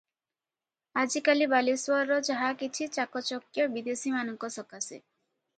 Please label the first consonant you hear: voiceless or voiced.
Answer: voiced